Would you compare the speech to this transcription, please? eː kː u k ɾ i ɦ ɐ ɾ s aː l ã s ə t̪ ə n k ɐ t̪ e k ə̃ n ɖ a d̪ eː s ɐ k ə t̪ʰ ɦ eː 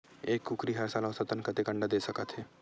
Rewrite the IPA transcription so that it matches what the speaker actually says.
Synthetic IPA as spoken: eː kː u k ɾ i ɦ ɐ ɾ s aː l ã s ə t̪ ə n k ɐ t̪ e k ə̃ ɳ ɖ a d̪ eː s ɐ k ə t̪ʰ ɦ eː